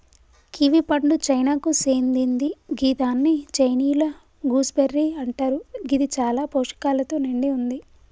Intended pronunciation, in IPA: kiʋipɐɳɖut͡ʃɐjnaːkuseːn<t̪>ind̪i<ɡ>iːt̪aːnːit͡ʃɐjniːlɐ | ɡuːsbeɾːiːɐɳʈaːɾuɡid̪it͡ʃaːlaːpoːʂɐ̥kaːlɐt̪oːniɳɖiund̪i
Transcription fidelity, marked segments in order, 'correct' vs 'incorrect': incorrect, correct

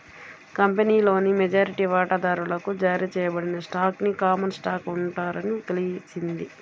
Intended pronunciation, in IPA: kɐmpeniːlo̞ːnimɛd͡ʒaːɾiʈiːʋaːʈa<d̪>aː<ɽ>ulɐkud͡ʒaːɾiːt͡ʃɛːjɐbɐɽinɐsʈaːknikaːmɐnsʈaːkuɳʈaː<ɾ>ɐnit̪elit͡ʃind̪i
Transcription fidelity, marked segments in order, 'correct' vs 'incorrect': correct, incorrect, correct

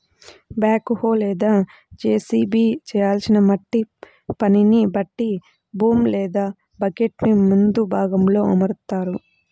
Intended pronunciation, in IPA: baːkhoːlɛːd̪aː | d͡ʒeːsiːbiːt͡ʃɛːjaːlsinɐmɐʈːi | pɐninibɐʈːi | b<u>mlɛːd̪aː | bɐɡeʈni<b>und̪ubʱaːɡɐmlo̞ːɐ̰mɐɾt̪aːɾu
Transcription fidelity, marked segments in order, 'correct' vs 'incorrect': incorrect, incorrect

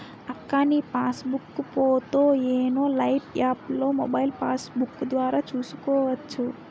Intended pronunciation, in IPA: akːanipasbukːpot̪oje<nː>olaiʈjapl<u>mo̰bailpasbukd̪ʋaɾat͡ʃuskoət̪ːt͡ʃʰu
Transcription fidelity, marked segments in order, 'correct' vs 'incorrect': incorrect, incorrect

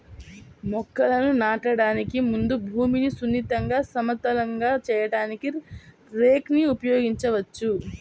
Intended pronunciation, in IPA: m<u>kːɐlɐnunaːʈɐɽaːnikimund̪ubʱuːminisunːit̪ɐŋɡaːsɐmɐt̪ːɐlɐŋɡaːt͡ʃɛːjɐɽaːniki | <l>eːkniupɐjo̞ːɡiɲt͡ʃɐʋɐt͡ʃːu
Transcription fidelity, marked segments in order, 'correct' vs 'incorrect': incorrect, incorrect

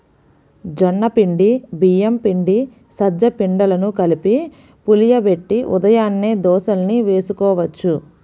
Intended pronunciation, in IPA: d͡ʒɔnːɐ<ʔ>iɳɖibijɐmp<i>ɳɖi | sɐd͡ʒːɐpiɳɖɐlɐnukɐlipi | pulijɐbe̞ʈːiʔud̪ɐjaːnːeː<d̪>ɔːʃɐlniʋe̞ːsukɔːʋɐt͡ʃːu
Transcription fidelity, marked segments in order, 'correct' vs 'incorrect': incorrect, correct, correct

